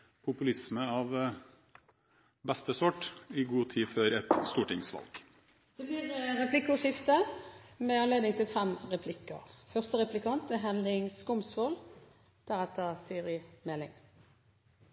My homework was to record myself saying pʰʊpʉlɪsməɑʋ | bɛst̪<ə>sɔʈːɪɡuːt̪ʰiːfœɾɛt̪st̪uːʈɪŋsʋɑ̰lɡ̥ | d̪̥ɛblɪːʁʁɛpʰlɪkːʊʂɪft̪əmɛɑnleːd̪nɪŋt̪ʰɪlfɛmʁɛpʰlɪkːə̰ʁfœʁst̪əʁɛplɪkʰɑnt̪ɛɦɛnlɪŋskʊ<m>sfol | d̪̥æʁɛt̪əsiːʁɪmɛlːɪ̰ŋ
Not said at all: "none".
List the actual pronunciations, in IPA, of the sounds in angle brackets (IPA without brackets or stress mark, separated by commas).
ə, m